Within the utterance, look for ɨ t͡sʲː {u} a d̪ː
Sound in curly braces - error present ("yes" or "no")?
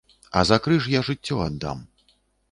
yes